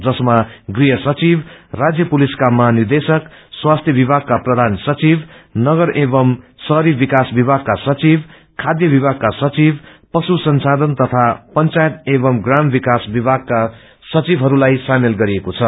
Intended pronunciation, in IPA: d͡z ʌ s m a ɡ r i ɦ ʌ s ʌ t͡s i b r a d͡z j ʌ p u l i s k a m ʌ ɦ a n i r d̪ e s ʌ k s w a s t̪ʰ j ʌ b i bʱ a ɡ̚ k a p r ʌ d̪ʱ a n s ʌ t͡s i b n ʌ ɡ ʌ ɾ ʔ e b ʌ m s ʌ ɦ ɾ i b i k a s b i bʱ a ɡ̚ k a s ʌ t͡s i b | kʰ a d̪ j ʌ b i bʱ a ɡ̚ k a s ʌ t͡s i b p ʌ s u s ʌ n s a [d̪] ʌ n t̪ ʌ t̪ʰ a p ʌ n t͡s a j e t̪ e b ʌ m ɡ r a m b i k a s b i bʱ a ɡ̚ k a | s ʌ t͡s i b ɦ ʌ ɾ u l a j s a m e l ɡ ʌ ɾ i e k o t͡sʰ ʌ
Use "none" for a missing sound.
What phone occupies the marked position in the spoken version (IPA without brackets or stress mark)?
d̪